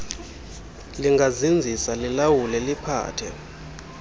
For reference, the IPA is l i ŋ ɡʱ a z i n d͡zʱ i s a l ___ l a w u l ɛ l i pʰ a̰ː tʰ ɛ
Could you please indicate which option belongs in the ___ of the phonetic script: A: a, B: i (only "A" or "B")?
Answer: B